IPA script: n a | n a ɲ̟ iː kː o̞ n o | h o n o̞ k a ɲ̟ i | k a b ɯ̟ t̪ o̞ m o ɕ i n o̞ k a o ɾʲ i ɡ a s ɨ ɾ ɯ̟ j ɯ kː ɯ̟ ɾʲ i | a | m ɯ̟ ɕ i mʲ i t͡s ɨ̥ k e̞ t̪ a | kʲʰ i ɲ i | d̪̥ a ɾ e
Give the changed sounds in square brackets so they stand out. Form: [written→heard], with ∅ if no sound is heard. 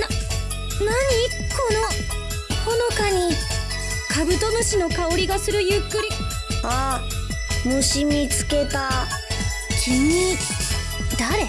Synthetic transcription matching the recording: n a | n a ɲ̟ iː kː o̞ n o | h o n o̞ k a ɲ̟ i | k a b ɯ̟ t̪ o̞ [m→n] o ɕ i n o̞ k a o ɾʲ i ɡ a s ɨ ɾ ɯ̟ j ɯ kː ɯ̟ ɾʲ i | a | m ɯ̟ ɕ i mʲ i t͡s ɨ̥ k e̞ t̪ a | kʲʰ i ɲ i | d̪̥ a ɾ e